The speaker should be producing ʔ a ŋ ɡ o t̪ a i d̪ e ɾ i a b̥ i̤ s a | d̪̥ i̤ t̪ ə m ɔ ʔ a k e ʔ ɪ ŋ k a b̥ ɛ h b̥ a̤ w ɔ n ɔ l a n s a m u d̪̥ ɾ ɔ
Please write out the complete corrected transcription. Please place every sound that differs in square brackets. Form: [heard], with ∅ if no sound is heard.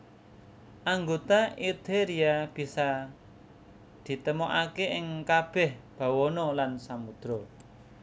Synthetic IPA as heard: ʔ a ŋ ɡ o t̪ a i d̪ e ɾ i a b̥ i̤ s a | d̪̥ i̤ t̪ ə m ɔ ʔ a k e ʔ ɪ ŋ k a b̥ ɛ h b̥ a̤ w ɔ n ɔ l a n s a m u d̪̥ ɾ ɔ